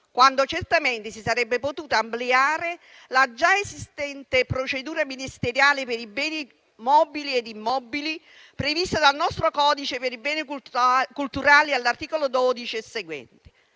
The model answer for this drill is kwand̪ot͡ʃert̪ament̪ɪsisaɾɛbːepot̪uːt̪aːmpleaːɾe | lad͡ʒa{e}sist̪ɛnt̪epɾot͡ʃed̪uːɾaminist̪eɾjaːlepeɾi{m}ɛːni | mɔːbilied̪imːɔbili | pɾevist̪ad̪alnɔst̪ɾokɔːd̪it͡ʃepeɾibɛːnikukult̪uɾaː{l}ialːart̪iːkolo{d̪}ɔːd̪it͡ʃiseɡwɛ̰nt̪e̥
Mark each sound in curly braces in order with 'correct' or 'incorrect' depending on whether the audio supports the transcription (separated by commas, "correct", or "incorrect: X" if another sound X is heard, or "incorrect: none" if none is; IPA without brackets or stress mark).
correct, incorrect: b, correct, correct